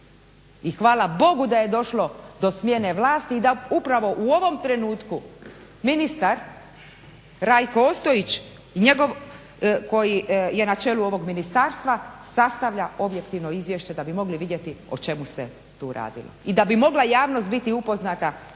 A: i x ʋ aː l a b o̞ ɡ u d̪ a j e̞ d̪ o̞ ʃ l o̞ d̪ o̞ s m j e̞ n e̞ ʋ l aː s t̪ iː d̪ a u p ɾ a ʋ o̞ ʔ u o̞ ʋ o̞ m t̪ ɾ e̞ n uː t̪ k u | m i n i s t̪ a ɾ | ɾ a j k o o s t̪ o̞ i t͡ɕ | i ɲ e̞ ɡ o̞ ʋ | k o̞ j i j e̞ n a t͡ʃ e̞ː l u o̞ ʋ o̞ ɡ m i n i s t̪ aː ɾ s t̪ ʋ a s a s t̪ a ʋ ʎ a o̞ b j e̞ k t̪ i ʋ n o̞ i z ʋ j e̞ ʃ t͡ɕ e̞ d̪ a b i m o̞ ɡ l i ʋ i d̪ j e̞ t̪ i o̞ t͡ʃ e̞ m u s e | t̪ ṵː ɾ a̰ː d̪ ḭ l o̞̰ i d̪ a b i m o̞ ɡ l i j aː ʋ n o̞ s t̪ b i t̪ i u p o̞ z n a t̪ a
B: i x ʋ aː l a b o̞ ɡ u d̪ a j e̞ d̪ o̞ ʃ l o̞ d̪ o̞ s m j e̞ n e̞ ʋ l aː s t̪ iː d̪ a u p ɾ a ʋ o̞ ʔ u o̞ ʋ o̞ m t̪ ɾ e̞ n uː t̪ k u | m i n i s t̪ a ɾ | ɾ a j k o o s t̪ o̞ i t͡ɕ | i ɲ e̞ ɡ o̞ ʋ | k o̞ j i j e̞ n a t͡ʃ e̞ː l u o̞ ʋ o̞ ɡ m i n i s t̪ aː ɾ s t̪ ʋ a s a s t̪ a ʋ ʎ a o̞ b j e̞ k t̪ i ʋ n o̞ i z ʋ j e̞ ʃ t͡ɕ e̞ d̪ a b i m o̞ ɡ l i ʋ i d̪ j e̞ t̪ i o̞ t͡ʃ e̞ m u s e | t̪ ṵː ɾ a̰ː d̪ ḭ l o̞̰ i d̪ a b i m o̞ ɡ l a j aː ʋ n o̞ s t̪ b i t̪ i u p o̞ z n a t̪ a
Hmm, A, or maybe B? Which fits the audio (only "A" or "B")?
B